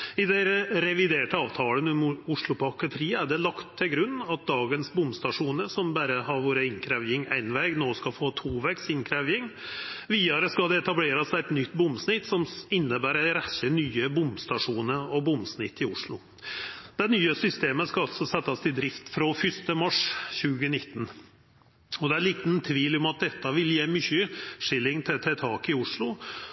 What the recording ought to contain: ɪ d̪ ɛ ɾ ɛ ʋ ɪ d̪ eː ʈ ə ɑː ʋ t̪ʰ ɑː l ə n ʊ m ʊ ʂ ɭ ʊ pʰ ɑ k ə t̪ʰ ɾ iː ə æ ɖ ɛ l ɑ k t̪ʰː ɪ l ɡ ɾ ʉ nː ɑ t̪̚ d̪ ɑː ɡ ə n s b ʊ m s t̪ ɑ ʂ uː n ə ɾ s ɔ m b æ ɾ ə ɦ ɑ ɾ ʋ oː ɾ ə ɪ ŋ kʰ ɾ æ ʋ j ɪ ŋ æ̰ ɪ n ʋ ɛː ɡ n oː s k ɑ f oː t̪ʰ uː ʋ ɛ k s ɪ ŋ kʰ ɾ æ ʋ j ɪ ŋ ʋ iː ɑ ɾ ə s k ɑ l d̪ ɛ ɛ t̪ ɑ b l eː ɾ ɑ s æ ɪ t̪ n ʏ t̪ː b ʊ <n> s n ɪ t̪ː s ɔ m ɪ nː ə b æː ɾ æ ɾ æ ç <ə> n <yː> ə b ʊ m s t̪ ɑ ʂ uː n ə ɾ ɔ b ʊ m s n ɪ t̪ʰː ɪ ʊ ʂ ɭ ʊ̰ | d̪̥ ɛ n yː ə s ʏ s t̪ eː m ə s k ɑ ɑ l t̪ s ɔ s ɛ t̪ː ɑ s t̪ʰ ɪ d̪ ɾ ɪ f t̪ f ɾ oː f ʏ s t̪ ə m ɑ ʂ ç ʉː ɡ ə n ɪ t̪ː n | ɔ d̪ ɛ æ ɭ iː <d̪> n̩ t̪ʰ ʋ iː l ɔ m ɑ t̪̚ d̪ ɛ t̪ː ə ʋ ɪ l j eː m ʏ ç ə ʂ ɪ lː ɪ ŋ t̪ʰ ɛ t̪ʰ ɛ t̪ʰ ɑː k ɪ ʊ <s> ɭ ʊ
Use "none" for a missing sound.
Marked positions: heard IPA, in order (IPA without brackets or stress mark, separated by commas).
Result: m, ə, yː, t̪, ʂ